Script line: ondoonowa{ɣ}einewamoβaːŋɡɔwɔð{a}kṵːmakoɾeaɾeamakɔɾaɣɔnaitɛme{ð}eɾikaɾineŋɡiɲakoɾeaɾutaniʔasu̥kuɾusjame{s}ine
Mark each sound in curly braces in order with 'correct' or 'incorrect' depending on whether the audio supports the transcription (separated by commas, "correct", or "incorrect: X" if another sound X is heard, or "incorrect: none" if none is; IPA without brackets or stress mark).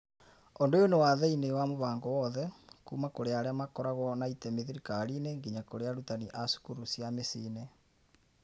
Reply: incorrect: ð, incorrect: ɛ, correct, correct